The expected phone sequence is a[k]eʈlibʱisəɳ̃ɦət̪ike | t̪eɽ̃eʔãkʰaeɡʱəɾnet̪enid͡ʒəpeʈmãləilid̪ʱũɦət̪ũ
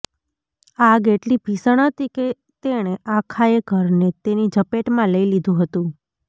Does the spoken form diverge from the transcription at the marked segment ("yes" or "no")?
yes